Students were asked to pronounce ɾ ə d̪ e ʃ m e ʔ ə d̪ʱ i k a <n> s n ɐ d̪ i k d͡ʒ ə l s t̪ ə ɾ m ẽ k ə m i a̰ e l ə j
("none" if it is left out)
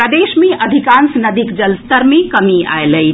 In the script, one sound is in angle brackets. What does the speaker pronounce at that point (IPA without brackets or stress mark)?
n